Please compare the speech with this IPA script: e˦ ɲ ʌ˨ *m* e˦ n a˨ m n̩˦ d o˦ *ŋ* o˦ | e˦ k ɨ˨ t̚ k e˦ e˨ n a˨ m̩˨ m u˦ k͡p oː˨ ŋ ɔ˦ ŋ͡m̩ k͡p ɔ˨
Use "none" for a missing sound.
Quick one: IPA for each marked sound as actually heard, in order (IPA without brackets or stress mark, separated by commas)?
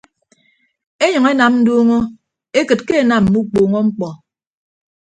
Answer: ŋ, ŋ